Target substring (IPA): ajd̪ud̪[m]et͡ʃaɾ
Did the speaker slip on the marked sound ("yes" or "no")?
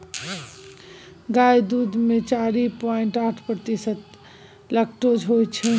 no